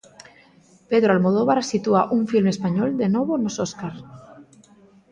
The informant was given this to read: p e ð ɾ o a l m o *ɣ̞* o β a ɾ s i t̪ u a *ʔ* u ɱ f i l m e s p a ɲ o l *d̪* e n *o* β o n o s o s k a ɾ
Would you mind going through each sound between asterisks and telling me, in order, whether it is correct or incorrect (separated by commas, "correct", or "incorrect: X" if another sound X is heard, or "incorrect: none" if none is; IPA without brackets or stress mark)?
incorrect: ð̞, correct, correct, correct